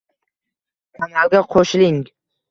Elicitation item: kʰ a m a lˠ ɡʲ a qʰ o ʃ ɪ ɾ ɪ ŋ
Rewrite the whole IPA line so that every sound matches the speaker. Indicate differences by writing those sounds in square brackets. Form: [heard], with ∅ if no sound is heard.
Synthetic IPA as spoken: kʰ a [n] a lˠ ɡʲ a qʰ o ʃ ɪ [l] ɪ ŋ